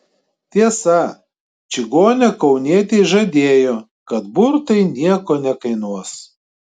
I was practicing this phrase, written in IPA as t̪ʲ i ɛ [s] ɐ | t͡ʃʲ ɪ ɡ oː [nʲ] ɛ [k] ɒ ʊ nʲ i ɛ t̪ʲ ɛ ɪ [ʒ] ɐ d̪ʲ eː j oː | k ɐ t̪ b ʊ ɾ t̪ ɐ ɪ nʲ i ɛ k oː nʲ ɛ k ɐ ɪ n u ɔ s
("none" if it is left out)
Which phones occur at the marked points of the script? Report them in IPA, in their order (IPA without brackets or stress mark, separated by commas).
s, nʲ, k, ʒ